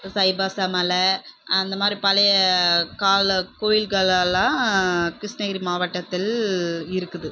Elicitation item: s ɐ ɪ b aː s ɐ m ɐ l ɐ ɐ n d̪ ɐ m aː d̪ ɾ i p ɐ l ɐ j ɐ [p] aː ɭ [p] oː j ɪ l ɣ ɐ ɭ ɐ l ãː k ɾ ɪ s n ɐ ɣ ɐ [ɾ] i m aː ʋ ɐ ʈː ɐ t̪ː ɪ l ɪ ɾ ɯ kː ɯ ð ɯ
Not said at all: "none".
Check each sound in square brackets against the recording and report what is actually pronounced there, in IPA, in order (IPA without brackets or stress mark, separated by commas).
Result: k, k, ɾ